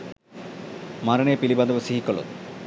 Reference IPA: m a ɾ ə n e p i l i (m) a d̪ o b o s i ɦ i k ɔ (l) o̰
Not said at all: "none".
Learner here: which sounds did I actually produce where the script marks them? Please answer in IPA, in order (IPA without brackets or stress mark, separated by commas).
b, l